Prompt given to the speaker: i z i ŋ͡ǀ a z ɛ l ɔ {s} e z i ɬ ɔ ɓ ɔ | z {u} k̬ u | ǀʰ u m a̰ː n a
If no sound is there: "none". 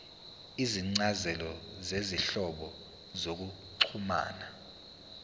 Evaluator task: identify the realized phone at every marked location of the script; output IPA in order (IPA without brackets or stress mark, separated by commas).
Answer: z, o